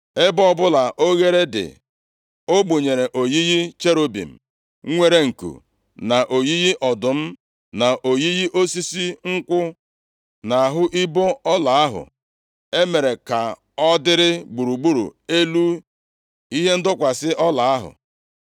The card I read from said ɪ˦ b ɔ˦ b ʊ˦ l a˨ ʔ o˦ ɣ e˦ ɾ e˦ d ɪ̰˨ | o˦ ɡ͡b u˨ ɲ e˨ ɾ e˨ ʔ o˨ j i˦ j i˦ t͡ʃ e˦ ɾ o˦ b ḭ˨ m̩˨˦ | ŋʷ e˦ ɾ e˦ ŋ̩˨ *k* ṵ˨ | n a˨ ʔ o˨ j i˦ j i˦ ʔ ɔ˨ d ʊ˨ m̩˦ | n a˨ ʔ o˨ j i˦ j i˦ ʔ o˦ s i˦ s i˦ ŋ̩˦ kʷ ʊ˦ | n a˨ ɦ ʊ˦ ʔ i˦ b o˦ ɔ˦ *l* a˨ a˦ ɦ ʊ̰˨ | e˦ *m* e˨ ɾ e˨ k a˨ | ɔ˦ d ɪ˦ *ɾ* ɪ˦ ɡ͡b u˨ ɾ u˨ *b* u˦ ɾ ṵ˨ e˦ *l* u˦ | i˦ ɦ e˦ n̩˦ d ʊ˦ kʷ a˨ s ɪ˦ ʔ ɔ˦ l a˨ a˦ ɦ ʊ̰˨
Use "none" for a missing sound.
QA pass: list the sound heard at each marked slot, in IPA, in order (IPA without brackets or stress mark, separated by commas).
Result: k, l, m, ɾ, ɡ͡b, l